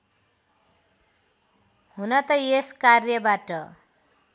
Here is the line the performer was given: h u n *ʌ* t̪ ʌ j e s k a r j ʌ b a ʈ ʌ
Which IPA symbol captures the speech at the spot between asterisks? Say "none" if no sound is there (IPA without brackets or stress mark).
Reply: ʌ